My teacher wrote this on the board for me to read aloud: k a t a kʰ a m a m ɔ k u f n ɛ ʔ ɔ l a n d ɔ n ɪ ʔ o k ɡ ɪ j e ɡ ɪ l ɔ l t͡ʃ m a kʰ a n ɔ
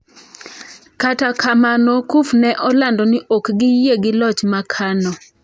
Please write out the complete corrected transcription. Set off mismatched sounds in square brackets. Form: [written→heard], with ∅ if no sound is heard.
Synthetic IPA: k a t a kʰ a m a [m→n] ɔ k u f n ɛ ʔ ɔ l a n d ɔ n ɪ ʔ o k ɡ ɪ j e ɡ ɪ l ɔ [l→∅] t͡ʃ m a kʰ a n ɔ